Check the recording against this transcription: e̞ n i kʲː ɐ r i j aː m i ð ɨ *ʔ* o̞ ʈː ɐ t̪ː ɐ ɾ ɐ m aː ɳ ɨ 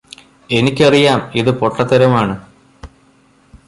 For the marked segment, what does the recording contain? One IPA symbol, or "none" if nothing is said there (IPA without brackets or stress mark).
p